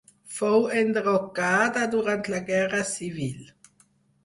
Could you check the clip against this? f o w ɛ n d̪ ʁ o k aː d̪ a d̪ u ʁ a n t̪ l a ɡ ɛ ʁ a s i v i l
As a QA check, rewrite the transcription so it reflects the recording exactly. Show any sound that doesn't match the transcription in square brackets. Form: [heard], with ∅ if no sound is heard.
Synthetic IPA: f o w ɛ n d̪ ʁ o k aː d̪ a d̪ u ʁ a n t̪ l a ɡ ɛ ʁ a s i v i l